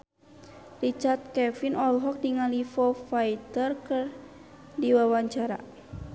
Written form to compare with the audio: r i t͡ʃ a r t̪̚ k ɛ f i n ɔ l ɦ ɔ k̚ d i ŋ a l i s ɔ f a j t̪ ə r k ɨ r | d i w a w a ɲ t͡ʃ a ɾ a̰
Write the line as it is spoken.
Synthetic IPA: r i t͡ʃ a r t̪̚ k ɛ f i n ɔ l ɦ ɔ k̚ d i ŋ a l i f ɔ f a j t̪ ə r k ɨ r | d i w a w a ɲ t͡ʃ a ɾ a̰